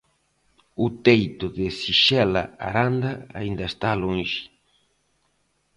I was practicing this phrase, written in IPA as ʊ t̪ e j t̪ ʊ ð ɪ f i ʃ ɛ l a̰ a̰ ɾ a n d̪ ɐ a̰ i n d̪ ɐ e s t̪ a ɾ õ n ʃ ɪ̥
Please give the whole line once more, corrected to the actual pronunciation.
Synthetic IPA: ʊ t̪ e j t̪ ʊ ð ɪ s i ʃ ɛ l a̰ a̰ ɾ a n d̪ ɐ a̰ i n d̪ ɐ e s t̪ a l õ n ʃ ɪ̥